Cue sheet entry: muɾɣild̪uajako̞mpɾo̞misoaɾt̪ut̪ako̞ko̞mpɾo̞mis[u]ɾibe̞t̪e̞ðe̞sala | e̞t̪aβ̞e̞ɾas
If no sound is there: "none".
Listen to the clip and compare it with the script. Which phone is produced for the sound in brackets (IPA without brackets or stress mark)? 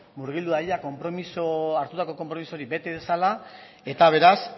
o